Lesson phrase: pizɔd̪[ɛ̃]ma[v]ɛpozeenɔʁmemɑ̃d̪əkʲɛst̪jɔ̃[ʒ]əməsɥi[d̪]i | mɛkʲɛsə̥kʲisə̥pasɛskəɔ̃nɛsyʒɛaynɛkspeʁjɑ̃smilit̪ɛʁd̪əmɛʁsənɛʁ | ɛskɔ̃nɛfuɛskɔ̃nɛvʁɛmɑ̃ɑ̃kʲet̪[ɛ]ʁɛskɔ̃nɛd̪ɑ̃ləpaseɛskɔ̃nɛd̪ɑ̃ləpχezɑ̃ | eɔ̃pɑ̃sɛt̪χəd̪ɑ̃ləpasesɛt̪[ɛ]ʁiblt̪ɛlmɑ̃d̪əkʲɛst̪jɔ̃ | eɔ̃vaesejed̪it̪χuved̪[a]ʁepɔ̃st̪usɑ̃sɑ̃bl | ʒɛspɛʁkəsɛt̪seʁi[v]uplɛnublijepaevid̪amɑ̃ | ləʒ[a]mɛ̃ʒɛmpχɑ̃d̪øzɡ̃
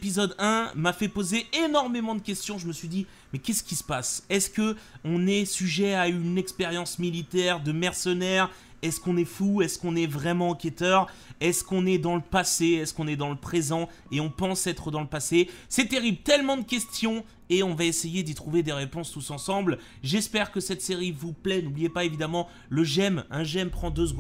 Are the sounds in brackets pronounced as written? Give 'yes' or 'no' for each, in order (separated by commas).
yes, no, yes, yes, no, no, no, yes, no